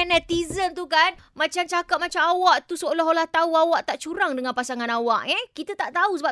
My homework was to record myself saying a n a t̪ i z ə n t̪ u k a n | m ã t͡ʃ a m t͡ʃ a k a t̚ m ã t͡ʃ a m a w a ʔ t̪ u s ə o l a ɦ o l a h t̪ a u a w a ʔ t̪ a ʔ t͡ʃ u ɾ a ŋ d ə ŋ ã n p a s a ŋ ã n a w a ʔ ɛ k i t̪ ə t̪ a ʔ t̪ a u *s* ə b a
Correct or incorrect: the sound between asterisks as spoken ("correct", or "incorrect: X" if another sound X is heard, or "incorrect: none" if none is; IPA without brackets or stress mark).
correct